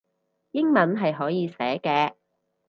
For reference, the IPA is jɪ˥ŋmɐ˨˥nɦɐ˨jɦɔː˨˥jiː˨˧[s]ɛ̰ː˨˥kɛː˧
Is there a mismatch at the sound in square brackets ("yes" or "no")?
no